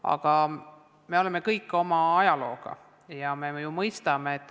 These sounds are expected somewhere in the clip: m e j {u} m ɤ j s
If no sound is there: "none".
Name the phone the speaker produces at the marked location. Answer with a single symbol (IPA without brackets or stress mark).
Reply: u